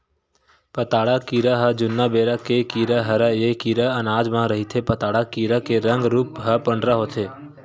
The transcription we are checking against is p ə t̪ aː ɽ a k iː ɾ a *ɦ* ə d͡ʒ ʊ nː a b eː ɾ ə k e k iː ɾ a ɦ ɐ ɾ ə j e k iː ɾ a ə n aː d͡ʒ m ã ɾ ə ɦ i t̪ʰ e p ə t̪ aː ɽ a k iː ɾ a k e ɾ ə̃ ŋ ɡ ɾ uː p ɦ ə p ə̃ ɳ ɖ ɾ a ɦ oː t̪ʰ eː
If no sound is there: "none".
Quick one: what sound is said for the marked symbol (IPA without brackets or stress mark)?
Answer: ɦ